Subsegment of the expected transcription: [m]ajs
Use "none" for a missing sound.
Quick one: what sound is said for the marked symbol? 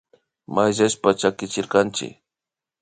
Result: m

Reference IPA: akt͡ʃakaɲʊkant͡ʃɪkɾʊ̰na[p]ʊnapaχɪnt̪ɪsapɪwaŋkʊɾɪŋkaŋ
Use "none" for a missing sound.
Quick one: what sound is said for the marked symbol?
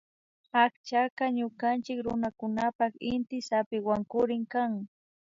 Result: k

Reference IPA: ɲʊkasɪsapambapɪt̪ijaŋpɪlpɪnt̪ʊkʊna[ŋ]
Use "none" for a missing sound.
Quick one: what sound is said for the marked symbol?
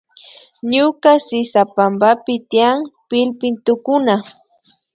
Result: none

